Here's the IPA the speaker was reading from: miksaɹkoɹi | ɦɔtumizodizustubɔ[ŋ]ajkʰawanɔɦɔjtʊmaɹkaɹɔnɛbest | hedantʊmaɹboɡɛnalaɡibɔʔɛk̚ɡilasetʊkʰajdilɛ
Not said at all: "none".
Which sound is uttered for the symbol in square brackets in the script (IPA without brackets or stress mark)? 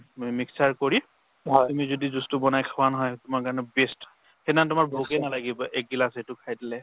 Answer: n